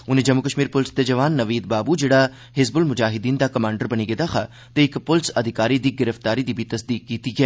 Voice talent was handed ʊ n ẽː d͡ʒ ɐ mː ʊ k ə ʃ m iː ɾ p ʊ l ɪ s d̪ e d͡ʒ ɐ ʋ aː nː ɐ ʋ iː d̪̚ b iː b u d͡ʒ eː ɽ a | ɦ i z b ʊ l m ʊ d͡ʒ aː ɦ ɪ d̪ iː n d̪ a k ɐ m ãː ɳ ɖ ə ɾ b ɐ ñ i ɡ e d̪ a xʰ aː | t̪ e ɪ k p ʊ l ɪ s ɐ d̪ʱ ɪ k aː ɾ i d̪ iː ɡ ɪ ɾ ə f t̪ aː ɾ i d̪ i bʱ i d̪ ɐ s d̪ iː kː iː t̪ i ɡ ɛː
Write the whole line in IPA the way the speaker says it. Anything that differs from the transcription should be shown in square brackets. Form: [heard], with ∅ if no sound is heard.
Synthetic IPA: ʊ n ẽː d͡ʒ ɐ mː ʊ k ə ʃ m iː ɾ p ʊ l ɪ s d̪ e d͡ʒ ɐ ʋ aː nː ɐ ʋ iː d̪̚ b [aː] b u d͡ʒ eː ɽ a | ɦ [ɪ] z b ʊ l m ʊ d͡ʒ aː ɦ ɪ d̪ iː n d̪ a k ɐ m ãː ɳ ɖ ə ɾ b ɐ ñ i ɡ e d̪ a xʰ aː | t̪ e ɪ k p ʊ l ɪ s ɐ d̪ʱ ɪ k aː ɾ i d̪ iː ɡ ɪ ɾ ə f t̪ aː ɾ i d̪ i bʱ i [t̪] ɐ s d̪ iː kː iː t̪ i ɡ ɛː